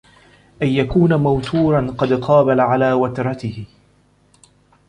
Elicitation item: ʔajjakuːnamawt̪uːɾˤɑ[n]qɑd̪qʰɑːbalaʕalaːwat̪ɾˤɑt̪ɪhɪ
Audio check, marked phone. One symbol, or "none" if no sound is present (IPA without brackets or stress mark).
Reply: n